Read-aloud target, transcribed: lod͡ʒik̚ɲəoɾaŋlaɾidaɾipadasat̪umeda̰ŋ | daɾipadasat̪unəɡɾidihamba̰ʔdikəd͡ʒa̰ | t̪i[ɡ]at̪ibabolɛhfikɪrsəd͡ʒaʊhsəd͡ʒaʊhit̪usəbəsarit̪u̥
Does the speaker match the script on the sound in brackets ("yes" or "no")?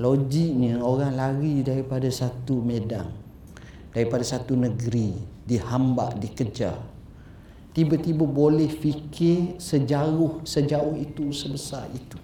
no